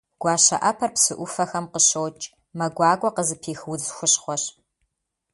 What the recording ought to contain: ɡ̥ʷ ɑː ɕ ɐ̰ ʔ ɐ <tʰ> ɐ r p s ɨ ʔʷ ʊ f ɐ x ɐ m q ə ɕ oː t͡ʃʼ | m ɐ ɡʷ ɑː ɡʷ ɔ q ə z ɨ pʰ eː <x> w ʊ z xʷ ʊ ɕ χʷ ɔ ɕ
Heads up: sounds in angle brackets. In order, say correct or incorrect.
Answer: incorrect: pʰ, correct

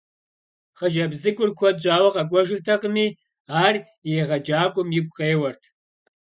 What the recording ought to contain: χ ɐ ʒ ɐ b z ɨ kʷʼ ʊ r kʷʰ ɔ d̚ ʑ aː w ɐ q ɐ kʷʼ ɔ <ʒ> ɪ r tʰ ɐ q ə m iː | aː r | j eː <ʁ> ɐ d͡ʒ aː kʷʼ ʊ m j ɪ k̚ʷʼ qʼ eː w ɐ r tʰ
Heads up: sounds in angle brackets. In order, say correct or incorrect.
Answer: correct, correct

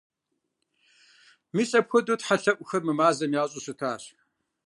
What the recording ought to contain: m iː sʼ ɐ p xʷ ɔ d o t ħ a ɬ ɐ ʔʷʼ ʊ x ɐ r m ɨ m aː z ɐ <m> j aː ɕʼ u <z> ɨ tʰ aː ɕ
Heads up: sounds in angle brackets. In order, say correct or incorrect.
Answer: correct, incorrect: s

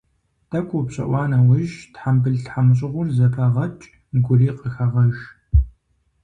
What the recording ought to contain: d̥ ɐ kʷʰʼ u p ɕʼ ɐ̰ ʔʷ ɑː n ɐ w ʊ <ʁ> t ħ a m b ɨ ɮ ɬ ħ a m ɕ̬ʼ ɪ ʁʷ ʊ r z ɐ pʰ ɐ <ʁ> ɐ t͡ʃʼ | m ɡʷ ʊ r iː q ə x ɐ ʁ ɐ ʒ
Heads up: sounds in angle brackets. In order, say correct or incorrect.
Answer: incorrect: ʒ, correct

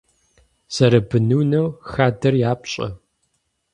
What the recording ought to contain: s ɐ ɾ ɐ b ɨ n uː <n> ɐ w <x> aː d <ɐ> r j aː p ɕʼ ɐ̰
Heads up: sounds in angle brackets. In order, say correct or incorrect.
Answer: correct, correct, correct

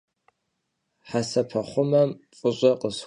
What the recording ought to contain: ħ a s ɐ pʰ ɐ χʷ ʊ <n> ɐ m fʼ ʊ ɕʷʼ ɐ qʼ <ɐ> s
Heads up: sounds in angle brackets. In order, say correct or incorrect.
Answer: incorrect: m, incorrect: ə

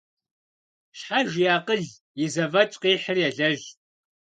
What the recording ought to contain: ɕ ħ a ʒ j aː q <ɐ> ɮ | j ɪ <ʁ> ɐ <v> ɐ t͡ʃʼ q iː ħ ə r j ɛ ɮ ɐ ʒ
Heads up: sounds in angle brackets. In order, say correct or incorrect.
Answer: incorrect: ə, incorrect: z, correct

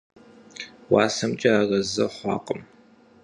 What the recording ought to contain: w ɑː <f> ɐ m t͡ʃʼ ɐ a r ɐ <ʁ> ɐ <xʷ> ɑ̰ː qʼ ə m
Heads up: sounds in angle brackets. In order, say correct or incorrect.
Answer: incorrect: s, incorrect: z, incorrect: χʷ

